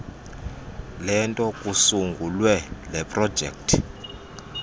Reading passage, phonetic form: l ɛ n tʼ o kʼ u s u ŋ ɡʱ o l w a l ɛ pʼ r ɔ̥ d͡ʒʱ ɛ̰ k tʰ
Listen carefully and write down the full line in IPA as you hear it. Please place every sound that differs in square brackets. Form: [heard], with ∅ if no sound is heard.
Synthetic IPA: l ɛ n tʼ [ɔ] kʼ u s u ŋ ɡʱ [u] l w [ɛ] l ɛ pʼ r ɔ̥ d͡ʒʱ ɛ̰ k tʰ